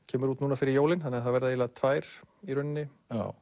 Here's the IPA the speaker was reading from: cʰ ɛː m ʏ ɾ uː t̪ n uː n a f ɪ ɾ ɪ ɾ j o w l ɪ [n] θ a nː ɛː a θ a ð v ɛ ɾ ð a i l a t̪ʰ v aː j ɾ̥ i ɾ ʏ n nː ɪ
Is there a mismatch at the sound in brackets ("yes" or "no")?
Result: no